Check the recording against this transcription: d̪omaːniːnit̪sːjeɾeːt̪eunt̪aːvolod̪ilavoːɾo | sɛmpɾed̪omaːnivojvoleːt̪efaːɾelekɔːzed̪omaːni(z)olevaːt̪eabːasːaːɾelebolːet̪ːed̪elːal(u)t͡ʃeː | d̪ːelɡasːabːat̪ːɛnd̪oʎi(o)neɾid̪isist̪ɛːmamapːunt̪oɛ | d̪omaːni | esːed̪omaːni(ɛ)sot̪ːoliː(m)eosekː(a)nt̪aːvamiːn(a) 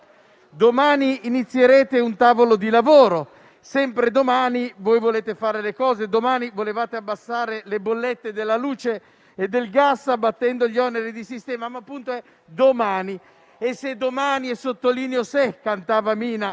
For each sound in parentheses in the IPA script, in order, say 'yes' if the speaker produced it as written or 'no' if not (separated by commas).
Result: no, no, no, yes, no, yes, yes